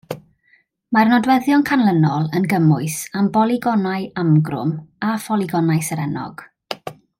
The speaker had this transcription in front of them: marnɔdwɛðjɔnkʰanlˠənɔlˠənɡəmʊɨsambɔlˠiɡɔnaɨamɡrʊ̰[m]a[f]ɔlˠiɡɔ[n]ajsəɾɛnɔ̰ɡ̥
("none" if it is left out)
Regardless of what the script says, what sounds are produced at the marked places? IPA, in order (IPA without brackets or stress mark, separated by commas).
m, f, n